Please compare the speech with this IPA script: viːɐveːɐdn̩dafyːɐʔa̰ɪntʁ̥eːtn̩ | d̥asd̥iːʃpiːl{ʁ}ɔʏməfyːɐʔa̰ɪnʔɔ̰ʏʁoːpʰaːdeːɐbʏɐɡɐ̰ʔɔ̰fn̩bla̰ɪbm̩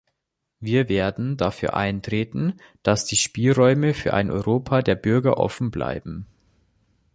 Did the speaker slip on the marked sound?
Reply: no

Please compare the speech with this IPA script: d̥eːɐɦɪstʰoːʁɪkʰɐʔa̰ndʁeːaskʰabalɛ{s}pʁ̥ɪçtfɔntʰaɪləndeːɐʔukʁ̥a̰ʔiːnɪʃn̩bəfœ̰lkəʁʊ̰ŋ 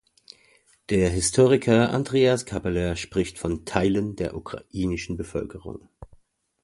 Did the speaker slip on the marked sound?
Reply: yes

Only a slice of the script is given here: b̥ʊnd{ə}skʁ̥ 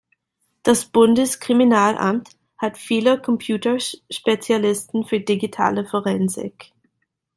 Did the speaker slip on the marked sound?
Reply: no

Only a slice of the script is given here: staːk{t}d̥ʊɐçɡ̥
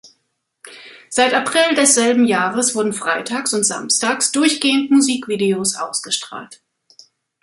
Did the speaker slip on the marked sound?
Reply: yes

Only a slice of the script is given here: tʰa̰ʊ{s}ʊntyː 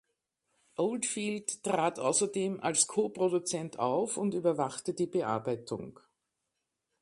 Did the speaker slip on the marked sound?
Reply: yes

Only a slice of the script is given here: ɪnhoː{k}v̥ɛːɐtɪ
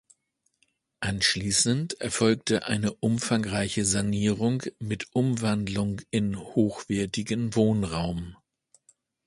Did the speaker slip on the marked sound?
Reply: yes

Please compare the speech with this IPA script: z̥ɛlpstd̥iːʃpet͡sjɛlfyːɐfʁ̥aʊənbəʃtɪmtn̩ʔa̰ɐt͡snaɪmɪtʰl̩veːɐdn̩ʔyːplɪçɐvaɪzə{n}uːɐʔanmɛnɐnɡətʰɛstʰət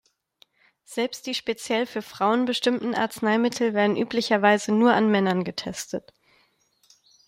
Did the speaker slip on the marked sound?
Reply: no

